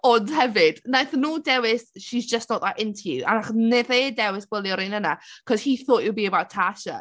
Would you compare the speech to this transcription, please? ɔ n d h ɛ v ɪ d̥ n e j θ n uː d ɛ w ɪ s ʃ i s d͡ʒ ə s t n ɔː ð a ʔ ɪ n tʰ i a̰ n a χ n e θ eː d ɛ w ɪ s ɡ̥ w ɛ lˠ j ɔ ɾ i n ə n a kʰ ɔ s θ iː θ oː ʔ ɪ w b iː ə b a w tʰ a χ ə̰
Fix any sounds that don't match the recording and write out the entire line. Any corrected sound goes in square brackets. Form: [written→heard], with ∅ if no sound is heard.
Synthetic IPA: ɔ n d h ɛ v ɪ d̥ n [e→a] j θ n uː d ɛ w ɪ s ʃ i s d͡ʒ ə s t n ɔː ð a ʔ ɪ n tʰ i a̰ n a χ n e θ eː d ɛ w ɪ s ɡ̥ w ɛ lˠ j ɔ ɾ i n ə n a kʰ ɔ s [θ→h] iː θ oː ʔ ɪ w b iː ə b a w tʰ a [χ→ʃ] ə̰